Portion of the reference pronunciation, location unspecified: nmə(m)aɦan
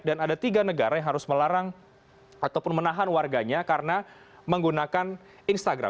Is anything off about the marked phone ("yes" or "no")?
yes